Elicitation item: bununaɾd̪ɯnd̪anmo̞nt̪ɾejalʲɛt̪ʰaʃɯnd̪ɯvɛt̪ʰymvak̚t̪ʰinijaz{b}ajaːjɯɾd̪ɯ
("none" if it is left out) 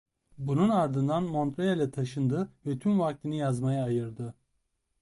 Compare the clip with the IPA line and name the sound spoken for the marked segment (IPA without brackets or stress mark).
m